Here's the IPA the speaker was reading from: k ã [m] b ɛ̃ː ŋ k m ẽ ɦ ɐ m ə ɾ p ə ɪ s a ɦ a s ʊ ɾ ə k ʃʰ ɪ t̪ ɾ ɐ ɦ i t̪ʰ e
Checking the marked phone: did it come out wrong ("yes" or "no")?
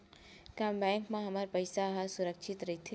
no